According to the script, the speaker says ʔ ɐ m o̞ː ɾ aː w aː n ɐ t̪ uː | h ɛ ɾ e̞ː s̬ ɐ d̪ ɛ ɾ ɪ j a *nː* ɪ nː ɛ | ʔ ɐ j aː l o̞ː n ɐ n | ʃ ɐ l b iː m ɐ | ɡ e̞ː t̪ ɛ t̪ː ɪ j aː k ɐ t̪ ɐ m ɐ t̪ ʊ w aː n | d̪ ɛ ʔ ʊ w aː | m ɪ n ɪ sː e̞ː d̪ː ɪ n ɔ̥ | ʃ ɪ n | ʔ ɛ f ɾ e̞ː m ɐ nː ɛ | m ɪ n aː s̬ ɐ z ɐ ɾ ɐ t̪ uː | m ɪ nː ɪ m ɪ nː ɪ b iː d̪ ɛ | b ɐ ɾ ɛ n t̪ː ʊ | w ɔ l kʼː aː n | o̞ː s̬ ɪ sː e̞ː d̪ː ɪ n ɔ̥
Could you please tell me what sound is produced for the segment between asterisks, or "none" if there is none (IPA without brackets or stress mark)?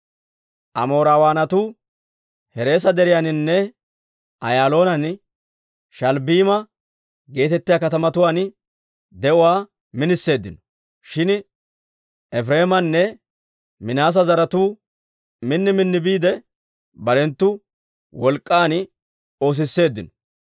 n